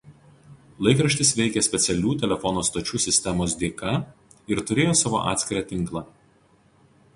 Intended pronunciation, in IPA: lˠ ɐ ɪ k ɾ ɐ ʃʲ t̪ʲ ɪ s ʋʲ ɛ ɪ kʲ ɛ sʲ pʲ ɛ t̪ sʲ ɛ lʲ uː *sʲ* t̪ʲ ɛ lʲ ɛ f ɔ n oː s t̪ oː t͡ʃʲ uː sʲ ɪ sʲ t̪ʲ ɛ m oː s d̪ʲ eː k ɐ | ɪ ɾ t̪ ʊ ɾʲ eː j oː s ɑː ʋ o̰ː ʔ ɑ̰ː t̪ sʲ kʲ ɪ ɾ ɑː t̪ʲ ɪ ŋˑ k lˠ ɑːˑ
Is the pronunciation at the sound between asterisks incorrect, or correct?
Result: incorrect